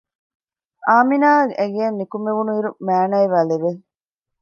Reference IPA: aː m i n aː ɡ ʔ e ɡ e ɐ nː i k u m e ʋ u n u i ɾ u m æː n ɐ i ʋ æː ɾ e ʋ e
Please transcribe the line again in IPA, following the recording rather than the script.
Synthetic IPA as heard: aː m i n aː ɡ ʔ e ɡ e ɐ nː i k u m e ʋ u n u i ɾ u m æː n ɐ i ʋ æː l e ʋ e